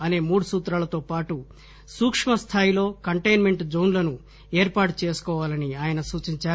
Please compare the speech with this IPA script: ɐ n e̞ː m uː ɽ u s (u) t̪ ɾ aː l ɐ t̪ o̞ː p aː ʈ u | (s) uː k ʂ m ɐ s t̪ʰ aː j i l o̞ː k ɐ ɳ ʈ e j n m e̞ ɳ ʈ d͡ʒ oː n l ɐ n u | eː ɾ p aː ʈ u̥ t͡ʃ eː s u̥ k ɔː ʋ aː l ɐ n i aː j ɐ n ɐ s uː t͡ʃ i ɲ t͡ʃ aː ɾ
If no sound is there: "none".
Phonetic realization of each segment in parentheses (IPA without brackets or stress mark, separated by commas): uː, s